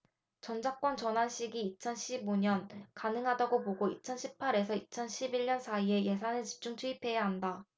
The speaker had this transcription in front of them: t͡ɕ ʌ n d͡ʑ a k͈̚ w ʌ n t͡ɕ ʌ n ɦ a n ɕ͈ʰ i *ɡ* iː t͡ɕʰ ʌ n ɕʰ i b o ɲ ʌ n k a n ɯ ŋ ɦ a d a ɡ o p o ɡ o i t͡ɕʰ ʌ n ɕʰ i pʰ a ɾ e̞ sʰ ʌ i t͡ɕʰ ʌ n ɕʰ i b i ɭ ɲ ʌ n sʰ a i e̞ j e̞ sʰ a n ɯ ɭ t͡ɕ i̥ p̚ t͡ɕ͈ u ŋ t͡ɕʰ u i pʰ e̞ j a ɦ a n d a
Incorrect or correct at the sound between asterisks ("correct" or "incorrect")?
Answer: correct